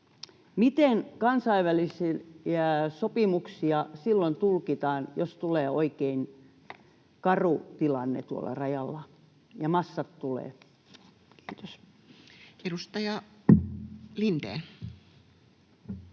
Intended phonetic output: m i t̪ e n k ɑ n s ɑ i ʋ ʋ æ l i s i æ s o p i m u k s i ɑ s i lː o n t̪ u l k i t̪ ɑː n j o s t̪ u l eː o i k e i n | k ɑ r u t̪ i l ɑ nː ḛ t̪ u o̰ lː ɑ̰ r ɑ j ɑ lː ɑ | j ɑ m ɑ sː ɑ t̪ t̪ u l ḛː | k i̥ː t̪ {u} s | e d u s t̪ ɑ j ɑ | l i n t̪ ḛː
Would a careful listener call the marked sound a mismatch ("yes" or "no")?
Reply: yes